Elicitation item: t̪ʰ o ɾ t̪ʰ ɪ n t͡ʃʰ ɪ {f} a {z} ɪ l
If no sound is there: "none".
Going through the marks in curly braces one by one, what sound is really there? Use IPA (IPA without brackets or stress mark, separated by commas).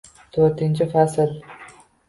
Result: f, s